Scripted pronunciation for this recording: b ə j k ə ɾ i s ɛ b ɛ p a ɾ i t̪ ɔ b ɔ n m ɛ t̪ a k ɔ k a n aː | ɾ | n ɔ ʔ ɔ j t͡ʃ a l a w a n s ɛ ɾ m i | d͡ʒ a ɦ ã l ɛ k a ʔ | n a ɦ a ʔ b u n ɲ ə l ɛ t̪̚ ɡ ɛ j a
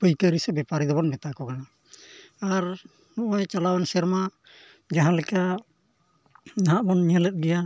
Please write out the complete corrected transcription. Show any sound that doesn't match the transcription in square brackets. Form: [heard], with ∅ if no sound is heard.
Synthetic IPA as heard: [p] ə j k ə ɾ i s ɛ b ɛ p a ɾ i [d̪] ɔ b ɔ n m ɛ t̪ a k ɔ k a n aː | ɾ | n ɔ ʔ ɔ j t͡ʃ a l a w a n s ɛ ɾ m [a] | d͡ʒ a ɦ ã l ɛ k a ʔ | n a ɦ a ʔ b [ɔ] n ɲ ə l ɛ t̪̚ ɡ ɛ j a